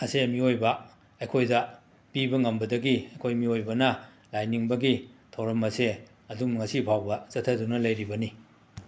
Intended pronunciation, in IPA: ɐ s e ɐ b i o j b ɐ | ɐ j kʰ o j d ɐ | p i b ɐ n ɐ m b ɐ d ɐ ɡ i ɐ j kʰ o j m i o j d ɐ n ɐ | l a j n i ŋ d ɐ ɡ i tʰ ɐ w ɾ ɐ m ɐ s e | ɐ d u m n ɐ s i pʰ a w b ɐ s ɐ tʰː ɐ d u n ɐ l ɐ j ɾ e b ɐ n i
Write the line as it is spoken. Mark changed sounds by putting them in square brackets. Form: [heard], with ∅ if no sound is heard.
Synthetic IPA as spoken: ɐ s e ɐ [m] i o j b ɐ | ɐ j kʰ o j d ɐ | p i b ɐ [ŋ] ɐ m b ɐ d ɐ ɡ i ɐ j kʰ o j m i o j [b] ɐ n ɐ | l a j n i ŋ [b] ɐ ɡ i tʰ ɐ w ɾ ɐ m ɐ s e | ɐ d u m [ŋ] ɐ s i pʰ a w b ɐ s ɐ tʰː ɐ d u n ɐ l ɐ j ɾ [i] b ɐ n i

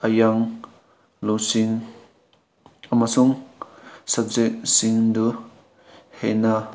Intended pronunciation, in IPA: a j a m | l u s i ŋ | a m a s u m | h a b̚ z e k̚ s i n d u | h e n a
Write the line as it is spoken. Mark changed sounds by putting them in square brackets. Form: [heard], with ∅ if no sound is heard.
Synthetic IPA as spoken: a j a [ŋ] | l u s i ŋ | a m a s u [ŋ] | [s] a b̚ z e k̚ s i [ŋ] d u | h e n a

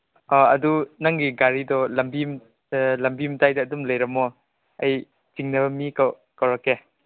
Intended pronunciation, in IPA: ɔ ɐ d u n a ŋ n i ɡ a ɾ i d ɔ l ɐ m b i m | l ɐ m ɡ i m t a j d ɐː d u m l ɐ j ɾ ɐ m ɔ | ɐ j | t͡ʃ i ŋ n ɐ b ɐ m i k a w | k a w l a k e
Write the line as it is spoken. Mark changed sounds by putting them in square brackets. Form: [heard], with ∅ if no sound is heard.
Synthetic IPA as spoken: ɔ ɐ d u n a ŋ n i ɡ a ɾ i d ɔ l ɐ m b i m | l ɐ m [b] i m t a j d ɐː d u m l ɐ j ɾ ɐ m ɔ | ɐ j | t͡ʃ i ŋ n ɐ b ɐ m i k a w | k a w [ɾ] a k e

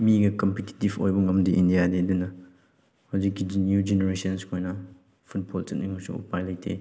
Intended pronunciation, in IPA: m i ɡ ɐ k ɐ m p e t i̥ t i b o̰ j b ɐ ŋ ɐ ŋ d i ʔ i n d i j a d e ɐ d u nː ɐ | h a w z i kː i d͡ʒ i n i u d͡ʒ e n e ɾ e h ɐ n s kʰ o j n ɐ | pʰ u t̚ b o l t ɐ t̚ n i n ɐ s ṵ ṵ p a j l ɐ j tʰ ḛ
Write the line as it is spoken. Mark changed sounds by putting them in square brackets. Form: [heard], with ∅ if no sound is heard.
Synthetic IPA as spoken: m i ɡ ɐ k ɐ m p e t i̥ t i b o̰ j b ɐ ŋ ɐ [m] d i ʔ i n d i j a d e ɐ d u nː ɐ | h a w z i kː i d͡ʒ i n [j] u d͡ʒ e n e ɾ e [s] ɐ n s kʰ o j n ɐ | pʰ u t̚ b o l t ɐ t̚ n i [m] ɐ s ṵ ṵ p a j l ɐ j tʰ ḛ

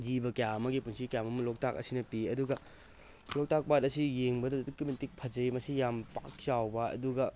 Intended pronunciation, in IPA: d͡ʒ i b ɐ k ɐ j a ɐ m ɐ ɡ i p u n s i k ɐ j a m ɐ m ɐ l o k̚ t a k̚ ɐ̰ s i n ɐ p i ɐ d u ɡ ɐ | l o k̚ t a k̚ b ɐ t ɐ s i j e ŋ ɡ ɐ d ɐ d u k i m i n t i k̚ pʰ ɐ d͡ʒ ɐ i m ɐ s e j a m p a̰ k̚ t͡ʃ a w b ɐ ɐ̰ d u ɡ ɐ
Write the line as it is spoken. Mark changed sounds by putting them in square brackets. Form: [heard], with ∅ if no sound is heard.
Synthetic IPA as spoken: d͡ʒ i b ɐ k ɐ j a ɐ m ɐ ɡ i p u n s i k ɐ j a m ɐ m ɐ l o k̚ t a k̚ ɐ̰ s i n ɐ p i ɐ d u ɡ ɐ | l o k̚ t a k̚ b [a] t ɐ s i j e ŋ [b] ɐ d ɐ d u k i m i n t i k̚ pʰ ɐ d͡ʒ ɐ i m ɐ s [i] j a m p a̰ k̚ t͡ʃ a w b ɐ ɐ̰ d u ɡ ɐ

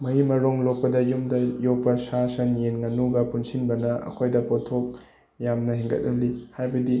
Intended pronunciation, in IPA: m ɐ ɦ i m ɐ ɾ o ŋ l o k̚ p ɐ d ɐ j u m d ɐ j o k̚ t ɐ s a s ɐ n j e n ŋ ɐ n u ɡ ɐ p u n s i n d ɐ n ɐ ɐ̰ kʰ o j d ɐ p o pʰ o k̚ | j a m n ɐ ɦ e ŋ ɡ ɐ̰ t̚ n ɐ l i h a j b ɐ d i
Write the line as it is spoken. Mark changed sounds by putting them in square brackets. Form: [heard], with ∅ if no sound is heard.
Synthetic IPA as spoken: m ɐ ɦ i m ɐ ɾ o ŋ l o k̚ p ɐ d ɐ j u m d ɐ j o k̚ [p] ɐ s a s ɐ n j e n ŋ ɐ n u ɡ ɐ p u n s i n [b] ɐ n ɐ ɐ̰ kʰ o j d ɐ p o [tʰ] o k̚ | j a m n ɐ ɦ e ŋ ɡ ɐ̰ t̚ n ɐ l i h a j b ɐ d i

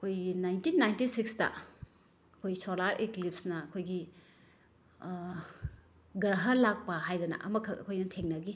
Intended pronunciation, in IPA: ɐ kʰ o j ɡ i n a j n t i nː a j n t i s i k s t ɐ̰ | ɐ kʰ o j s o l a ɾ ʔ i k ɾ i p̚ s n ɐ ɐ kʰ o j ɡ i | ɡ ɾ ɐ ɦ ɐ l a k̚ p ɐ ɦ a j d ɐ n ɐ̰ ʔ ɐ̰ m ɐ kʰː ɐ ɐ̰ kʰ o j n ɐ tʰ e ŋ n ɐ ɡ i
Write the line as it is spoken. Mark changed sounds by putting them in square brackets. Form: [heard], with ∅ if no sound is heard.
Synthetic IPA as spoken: ɐ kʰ o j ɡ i n a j n t i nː a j n t i s i k s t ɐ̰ | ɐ kʰ o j s o l a ɾ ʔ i k [l] i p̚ s n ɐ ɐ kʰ o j ɡ i | ɡ ɾ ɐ ɦ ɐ l a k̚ p ɐ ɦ a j d ɐ n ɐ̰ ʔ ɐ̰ m ɐ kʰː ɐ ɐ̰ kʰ o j n ɐ tʰ e ŋ n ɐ ɡ i

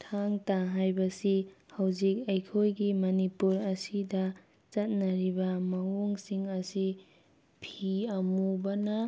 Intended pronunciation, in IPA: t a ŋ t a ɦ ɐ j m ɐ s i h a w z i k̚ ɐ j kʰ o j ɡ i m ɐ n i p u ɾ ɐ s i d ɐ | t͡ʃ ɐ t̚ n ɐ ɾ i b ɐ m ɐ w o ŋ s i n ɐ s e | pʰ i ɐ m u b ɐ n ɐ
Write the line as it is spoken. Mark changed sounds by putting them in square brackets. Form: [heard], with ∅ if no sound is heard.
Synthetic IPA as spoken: [tʰ] a ŋ t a ɦ [a] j [b] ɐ s i h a w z i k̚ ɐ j kʰ o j ɡ i m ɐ n i p u ɾ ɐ s i d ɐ | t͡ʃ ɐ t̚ n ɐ ɾ i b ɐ m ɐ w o ŋ s i [ŋ] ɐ s [i] | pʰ i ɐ m u b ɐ n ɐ

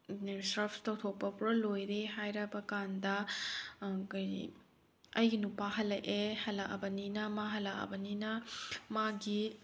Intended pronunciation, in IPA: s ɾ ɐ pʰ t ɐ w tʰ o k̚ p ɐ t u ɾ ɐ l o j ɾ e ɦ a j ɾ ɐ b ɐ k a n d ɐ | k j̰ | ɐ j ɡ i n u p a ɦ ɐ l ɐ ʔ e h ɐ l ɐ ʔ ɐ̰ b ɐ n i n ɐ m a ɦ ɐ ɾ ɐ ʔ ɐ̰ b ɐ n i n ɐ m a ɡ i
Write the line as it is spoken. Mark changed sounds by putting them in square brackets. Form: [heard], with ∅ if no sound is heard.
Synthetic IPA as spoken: s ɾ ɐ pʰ t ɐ w tʰ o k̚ p ɐ [p] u ɾ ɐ l o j ɾ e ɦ a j ɾ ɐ b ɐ k a n d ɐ | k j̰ | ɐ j ɡ i n u p a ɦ ɐ l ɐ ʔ e h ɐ l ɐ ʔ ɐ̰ b ɐ n i n ɐ m a ɦ ɐ [l] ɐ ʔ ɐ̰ b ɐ n i n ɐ m a ɡ i

